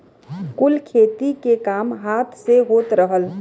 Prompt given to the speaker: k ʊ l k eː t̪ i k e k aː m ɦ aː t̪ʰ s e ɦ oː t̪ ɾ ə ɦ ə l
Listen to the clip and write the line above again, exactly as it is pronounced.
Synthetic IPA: k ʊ l kʰ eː t̪ i k e k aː m ɦ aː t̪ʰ s e ɦ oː t̪ ɾ ə ɦ ə l